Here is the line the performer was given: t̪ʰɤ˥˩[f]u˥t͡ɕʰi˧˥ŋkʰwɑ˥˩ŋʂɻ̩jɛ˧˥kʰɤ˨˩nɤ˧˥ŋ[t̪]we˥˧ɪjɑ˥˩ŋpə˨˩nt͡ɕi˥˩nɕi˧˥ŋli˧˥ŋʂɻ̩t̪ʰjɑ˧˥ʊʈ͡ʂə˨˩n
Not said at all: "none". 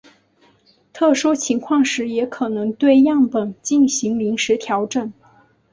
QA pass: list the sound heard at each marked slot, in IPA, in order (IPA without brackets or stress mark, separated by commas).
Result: ʂ, t̪